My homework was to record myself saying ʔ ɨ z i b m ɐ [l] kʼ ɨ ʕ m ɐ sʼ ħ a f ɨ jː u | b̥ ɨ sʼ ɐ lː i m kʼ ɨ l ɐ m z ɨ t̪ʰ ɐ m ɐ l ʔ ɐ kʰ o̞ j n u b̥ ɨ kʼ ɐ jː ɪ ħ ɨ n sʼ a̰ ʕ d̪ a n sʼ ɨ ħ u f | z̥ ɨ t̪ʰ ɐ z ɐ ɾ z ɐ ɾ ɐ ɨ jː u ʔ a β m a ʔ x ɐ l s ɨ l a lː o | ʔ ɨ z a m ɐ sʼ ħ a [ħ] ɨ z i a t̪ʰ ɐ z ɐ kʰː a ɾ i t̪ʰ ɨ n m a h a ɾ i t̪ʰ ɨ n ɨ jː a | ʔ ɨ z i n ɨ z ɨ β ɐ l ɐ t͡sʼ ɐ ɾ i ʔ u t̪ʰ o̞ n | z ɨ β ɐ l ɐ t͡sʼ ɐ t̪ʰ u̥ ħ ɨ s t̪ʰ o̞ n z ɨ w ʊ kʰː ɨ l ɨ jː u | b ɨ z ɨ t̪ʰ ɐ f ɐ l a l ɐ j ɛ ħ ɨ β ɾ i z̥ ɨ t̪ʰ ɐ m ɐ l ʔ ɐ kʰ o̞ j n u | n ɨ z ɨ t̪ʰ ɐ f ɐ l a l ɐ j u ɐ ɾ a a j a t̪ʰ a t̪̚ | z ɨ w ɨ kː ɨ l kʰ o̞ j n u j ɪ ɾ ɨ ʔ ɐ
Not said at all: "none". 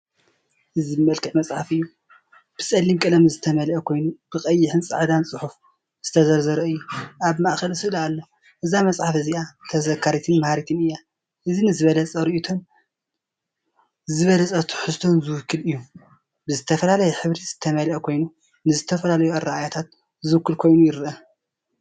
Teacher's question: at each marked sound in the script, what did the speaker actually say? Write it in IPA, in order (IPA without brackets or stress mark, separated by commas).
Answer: l, f